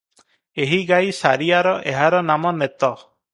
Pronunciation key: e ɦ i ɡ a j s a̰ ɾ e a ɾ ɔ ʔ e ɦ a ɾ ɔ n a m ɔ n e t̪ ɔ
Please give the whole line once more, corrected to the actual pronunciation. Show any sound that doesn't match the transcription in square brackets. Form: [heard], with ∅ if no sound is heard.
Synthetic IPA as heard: e ɦ i ɡ a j s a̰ ɾ [i] a ɾ ɔ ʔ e ɦ a ɾ ɔ n a m ɔ n e t̪ ɔ

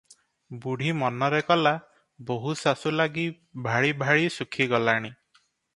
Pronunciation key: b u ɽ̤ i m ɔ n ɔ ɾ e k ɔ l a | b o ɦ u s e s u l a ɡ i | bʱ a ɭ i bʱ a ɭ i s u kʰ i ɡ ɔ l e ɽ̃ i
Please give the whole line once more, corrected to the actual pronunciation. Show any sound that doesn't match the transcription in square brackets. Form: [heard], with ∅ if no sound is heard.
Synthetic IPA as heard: b u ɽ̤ i m ɔ n ɔ ɾ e k ɔ l a | b o ɦ u s [a] s u l a ɡ i | bʱ a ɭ i bʱ a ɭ i s u kʰ i ɡ ɔ l [a] ɽ̃ i

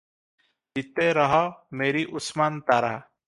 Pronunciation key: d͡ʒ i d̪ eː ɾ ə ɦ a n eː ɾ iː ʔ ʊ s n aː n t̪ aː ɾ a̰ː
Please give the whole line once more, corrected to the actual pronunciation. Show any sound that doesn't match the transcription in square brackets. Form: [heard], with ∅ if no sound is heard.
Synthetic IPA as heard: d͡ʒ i [t̪] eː ɾ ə ɦ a [m] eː ɾ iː ʔ ʊ s [m] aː n t̪ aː ɾ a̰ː

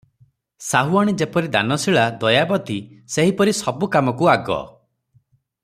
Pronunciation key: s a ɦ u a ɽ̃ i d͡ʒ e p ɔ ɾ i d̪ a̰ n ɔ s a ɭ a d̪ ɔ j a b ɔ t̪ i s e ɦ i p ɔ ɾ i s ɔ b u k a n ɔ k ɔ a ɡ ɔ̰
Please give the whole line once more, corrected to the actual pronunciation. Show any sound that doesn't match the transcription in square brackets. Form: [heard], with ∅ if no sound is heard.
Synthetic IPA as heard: s a ɦ u a ɽ̃ i d͡ʒ e p ɔ ɾ i d̪ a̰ n ɔ s [i] ɭ a d̪ ɔ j a b ɔ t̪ i s e ɦ i p ɔ ɾ i s ɔ b u k a [m] ɔ k [u] a ɡ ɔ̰

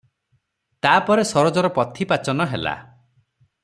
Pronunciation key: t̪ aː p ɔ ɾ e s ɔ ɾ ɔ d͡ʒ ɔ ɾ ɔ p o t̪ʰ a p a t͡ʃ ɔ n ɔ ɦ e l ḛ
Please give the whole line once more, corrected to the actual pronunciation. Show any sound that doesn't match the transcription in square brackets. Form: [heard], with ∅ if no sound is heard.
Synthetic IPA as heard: t̪ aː p ɔ ɾ e s ɔ ɾ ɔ d͡ʒ ɔ ɾ ɔ p [ɔ] t̪ʰ [i] p a t͡ʃ ɔ n ɔ ɦ e l [a̰]

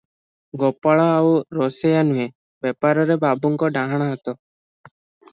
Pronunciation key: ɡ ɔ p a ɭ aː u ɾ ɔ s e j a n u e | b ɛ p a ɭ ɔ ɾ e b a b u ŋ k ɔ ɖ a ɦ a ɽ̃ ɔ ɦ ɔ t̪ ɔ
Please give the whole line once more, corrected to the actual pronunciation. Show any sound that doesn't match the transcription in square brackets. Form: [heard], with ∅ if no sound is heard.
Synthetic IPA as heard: ɡ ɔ p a ɭ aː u ɾ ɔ s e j a n u e | b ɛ p a [ɾ] ɔ ɾ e b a b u ŋ k ɔ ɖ a ɦ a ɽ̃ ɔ ɦ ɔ t̪ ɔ

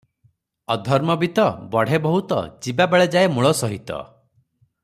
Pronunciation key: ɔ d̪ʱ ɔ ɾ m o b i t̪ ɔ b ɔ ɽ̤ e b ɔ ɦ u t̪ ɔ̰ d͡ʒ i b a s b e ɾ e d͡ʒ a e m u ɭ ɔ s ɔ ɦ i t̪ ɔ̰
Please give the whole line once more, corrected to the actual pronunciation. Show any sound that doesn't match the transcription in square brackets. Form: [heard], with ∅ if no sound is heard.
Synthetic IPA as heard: ɔ d̪ʱ ɔ ɾ m [ɔ] b i t̪ ɔ b ɔ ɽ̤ e b ɔ ɦ u t̪ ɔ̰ d͡ʒ i b a [∅] b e [ɭ] e d͡ʒ a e m u ɭ ɔ s ɔ ɦ i t̪ ɔ̰

